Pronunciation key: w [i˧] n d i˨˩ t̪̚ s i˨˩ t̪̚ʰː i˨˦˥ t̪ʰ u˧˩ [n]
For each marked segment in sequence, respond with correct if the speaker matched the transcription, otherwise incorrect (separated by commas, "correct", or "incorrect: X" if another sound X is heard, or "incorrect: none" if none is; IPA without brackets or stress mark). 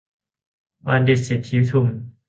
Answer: incorrect: a˧, incorrect: m